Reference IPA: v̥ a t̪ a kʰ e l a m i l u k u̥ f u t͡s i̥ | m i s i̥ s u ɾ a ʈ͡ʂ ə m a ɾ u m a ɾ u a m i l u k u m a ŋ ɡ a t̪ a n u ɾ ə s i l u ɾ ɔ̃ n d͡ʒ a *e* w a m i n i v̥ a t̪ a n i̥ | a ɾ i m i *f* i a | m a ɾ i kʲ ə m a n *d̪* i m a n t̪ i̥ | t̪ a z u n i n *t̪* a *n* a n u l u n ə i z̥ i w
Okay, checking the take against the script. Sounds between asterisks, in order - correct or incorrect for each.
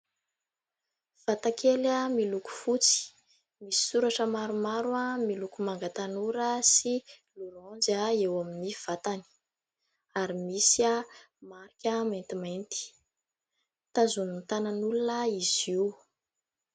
correct, incorrect: s, incorrect: t̪, correct, correct

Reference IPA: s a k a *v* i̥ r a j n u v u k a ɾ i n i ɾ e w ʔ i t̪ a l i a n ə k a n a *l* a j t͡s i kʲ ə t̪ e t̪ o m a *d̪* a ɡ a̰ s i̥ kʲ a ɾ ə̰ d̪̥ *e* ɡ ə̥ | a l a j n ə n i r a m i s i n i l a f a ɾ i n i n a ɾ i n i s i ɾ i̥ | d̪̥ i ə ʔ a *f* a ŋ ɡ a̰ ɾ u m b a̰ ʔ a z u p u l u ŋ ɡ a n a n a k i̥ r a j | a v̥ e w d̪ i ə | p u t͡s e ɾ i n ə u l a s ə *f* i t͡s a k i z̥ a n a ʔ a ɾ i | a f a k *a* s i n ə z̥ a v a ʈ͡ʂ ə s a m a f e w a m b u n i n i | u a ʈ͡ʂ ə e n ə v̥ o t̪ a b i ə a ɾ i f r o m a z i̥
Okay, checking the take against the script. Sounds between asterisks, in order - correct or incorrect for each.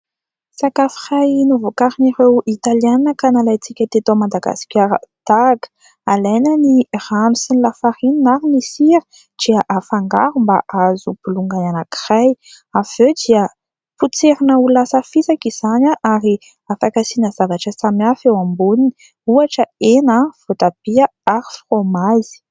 incorrect: f, correct, correct, incorrect: a, correct, correct, correct

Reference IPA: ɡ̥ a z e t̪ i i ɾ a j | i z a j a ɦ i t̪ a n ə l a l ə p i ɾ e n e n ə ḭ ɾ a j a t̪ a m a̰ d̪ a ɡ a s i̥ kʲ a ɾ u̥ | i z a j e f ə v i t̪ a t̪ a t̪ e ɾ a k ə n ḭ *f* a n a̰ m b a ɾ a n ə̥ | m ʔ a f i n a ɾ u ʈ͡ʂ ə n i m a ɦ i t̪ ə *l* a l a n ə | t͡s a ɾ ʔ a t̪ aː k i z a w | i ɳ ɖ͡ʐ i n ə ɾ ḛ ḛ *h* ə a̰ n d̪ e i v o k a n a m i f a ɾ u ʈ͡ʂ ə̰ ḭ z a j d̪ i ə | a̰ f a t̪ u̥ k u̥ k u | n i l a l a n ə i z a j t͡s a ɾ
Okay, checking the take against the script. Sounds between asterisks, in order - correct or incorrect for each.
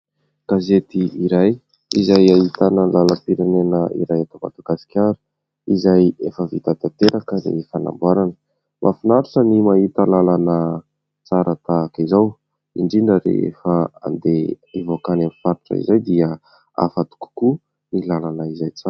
correct, correct, incorrect: f

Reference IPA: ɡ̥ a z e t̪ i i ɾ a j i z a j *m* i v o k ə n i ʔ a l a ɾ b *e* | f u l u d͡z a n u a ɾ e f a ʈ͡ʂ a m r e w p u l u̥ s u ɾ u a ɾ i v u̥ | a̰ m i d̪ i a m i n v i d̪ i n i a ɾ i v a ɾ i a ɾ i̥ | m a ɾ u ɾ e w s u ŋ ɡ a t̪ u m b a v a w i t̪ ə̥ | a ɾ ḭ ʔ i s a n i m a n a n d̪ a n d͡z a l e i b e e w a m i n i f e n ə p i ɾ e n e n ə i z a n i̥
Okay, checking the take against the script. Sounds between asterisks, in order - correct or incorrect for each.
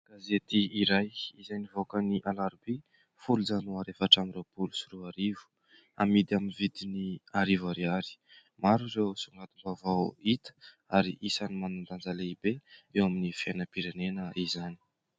incorrect: n, incorrect: i

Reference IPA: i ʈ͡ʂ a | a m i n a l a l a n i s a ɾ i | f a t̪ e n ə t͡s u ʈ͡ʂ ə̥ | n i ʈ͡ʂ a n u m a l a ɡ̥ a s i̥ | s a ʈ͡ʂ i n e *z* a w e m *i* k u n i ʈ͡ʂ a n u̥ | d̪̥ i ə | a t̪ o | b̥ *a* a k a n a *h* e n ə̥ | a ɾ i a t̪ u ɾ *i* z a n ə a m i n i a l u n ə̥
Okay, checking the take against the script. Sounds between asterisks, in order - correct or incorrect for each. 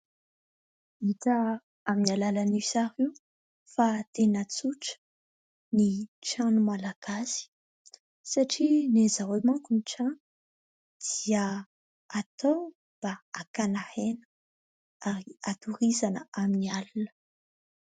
correct, incorrect: a, correct, correct, correct

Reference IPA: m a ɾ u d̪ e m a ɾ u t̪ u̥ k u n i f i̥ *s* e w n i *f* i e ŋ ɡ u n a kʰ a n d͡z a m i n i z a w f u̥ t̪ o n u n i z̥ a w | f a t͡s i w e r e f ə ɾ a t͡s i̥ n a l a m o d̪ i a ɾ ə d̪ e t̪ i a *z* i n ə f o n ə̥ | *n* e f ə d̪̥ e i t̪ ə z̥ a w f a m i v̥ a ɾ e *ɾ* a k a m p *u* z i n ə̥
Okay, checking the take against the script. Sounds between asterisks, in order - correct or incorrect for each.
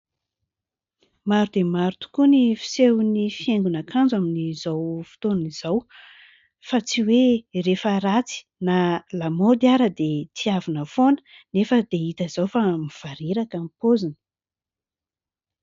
correct, correct, incorrect: v, correct, correct, incorrect: o

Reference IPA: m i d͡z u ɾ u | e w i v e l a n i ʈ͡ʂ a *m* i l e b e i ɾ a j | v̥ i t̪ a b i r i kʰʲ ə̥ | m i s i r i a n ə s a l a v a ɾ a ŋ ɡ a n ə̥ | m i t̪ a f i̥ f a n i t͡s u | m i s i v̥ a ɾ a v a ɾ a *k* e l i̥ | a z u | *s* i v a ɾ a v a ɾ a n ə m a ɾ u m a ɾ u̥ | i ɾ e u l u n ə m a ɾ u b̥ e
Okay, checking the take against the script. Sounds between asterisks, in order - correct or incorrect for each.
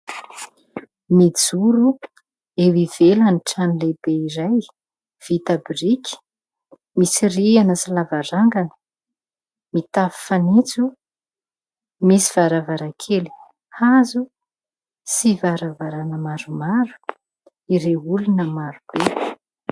incorrect: n, incorrect: kʰ, correct

